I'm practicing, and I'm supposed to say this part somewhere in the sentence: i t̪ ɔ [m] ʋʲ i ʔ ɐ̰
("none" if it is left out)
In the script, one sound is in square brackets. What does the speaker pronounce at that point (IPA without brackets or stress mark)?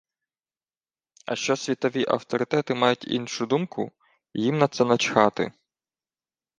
none